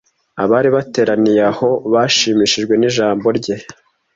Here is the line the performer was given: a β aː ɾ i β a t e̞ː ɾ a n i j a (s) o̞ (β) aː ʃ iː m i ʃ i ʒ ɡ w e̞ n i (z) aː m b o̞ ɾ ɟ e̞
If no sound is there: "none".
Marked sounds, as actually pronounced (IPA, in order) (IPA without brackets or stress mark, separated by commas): h, β, ʒ